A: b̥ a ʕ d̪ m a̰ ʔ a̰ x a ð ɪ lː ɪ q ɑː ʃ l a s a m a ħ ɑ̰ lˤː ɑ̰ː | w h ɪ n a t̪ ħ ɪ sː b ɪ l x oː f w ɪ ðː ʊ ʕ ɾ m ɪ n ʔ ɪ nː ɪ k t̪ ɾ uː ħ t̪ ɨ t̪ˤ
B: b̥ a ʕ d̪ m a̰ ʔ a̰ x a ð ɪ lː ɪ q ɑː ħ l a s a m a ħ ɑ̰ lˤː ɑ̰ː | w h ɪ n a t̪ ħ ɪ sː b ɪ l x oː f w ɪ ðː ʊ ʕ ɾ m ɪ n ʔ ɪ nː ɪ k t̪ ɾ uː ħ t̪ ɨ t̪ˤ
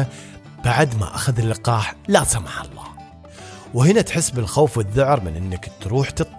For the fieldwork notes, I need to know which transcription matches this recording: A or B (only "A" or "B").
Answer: B